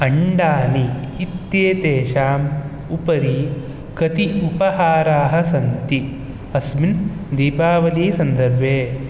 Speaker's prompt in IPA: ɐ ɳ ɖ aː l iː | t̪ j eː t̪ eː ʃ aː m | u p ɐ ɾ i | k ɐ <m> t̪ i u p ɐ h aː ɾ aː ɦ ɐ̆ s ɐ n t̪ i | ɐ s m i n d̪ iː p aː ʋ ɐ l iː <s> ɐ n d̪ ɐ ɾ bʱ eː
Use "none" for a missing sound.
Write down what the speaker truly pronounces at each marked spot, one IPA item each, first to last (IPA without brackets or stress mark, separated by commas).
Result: none, s